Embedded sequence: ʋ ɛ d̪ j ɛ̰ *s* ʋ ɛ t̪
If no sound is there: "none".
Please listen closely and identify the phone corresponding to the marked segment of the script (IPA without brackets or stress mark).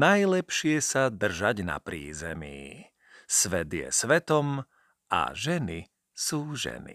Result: s